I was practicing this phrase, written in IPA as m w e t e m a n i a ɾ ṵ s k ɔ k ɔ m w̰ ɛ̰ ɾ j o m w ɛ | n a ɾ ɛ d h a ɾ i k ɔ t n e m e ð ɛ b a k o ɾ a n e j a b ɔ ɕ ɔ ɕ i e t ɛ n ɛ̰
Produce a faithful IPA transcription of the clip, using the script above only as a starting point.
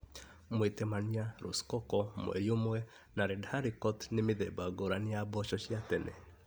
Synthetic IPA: m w e t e m a n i a ɾ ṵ s k ɔ k ɔ m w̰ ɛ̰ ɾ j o m w ɛ | n a ɾ ɛ d h a ɾ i k ɔ t n e m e ð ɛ b a ɡ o ɾ a n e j a b ɔ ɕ ɔ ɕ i a t ɛ n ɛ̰